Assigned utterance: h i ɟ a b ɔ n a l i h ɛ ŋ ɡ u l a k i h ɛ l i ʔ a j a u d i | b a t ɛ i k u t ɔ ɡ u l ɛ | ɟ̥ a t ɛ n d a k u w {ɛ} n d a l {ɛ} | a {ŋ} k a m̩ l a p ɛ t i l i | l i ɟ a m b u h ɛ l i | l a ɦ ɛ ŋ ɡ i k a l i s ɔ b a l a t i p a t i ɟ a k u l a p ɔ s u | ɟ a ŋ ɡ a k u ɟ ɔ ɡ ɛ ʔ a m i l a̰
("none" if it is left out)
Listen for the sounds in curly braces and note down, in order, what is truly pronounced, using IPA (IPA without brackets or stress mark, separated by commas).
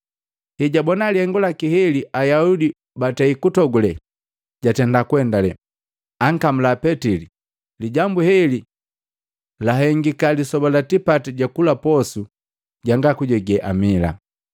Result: ɛ, ɛ, ŋ